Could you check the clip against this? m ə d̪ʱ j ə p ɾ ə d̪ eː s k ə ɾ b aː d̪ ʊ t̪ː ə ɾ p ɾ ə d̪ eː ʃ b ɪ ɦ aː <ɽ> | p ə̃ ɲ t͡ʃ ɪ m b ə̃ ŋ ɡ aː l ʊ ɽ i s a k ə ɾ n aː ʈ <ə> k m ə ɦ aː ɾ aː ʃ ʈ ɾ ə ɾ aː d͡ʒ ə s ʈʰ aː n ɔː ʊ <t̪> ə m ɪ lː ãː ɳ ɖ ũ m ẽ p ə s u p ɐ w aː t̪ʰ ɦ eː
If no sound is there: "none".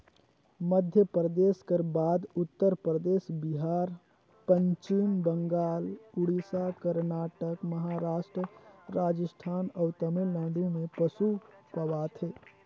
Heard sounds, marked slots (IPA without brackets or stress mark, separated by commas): ɾ, ə, t̪